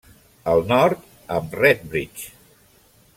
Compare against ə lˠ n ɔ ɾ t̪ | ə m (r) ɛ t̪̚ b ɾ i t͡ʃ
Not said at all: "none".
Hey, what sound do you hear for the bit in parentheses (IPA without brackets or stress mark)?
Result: r